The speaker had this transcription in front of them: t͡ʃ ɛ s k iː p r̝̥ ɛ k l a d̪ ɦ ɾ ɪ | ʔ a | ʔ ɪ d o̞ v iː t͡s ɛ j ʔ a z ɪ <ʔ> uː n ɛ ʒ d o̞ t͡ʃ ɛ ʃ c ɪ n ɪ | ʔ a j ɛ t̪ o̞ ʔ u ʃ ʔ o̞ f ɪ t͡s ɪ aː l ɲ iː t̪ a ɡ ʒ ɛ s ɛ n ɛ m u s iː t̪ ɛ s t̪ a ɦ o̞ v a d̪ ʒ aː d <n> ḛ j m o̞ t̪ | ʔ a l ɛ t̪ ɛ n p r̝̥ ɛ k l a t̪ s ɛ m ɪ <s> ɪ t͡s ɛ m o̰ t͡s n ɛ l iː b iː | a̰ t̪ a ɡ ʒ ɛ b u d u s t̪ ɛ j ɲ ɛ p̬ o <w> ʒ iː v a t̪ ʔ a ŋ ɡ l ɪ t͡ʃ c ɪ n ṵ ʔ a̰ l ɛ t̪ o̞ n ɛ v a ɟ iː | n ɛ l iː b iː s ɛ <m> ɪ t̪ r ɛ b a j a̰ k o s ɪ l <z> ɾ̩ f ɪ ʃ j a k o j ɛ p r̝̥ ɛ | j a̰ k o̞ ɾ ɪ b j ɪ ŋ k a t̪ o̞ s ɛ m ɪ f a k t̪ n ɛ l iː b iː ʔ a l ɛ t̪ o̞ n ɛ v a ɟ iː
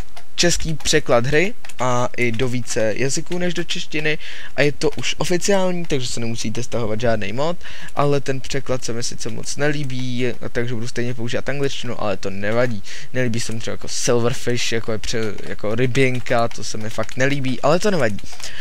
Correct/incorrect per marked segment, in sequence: incorrect, correct, correct, incorrect, correct, incorrect

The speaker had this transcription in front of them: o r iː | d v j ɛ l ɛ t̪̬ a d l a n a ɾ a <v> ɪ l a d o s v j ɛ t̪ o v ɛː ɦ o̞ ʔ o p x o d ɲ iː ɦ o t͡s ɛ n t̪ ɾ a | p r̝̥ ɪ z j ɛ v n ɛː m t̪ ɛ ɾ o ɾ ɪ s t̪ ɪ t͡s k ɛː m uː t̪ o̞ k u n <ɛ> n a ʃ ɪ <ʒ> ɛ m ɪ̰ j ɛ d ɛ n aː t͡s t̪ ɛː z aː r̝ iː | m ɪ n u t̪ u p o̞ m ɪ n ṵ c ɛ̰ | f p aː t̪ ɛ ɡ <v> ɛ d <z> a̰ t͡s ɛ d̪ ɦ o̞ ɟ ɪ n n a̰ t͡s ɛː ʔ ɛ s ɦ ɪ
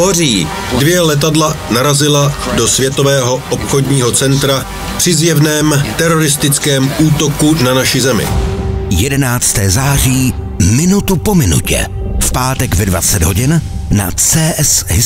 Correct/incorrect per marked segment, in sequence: incorrect, incorrect, incorrect, correct, incorrect

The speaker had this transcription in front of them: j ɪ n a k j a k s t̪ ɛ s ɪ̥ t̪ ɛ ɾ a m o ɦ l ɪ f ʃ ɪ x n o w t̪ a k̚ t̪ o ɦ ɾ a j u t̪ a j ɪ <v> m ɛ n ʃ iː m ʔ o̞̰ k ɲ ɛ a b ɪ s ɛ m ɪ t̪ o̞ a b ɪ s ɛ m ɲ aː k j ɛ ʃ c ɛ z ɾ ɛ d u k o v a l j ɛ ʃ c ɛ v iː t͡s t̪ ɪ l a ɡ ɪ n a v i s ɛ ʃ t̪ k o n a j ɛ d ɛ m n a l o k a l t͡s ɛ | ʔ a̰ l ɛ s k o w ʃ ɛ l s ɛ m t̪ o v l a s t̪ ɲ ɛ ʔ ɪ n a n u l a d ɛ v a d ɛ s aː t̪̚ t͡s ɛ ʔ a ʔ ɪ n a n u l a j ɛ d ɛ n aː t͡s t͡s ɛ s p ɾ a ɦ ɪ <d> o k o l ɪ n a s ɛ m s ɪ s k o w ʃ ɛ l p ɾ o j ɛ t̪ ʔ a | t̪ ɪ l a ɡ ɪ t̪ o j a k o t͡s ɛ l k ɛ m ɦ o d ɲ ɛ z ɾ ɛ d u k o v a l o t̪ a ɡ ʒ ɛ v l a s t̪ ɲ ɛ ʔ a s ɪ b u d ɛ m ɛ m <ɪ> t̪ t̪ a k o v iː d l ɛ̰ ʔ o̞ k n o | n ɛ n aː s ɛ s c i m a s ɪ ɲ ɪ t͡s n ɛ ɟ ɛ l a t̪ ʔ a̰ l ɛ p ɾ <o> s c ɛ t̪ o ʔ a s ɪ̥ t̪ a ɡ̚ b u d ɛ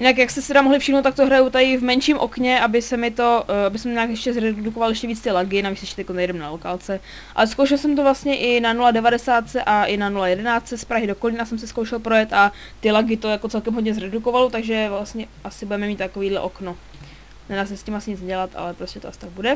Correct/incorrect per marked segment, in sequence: correct, correct, incorrect, correct

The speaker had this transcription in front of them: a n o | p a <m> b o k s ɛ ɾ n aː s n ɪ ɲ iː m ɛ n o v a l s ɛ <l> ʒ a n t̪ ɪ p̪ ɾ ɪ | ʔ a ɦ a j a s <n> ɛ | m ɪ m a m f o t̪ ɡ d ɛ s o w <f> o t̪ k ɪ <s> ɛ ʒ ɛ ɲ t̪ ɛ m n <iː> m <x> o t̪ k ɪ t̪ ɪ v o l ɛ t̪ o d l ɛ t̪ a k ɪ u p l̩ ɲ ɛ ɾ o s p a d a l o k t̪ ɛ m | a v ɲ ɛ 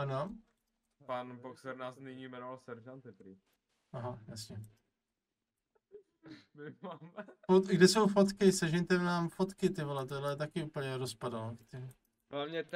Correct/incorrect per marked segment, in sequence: incorrect, incorrect, incorrect, correct, correct, incorrect, incorrect

